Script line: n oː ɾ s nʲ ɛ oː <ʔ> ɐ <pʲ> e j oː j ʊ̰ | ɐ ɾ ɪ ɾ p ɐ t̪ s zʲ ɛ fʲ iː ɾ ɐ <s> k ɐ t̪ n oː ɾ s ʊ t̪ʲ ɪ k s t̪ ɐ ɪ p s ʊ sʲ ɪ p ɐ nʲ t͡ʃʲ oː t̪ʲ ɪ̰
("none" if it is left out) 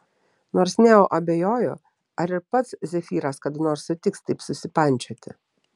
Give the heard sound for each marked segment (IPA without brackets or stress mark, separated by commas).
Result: ʔ, bʲ, s